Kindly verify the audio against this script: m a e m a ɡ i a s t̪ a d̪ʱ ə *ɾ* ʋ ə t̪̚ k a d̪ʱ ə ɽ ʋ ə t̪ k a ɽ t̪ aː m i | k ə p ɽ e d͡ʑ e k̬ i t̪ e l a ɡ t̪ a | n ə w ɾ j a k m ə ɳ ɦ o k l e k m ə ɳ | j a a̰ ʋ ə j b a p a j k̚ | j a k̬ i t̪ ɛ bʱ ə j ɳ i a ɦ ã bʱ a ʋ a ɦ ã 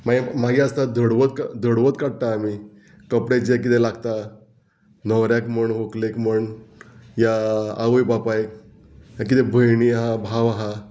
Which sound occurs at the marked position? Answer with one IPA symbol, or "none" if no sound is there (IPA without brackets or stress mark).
ɽ